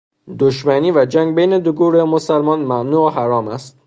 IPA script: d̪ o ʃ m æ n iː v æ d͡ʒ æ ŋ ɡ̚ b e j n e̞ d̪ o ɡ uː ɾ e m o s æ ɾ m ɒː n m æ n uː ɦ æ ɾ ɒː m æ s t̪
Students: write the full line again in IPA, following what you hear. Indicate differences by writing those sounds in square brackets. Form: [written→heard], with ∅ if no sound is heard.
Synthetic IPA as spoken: d̪ o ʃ m æ n iː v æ d͡ʒ æ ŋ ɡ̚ b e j n e̞ d̪ o ɡ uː ɾ e m o s æ [ɾ→l] m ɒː n m æ n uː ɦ æ ɾ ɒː m æ s t̪

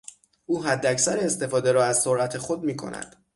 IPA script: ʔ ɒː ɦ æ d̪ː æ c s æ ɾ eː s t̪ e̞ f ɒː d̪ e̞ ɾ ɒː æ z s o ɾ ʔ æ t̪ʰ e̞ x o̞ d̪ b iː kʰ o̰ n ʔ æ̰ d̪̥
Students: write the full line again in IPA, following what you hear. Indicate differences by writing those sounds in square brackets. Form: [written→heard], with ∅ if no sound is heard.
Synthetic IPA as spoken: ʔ [ɒː→uː] ɦ æ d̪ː æ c s æ ɾ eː s t̪ e̞ f ɒː d̪ e̞ ɾ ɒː æ z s o ɾ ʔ æ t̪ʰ e̞ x o̞ d̪ [b→m] iː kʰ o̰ n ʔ æ̰ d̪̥

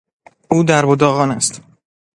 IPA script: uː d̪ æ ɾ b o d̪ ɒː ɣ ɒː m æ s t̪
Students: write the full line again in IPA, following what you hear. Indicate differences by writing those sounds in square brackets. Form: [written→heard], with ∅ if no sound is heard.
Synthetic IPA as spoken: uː d̪ æ ɾ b o d̪ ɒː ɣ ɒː [m→n] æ s t̪

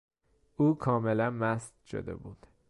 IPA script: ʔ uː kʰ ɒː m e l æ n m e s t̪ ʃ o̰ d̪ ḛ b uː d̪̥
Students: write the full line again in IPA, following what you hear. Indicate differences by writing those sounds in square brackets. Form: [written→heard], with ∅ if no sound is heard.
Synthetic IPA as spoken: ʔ uː kʰ ɒː m e l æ n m [e→æ] s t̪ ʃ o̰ d̪ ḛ b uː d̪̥

